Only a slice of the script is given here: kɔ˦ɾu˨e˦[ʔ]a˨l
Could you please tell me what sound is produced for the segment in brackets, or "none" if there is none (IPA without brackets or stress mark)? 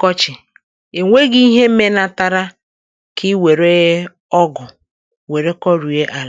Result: ʔ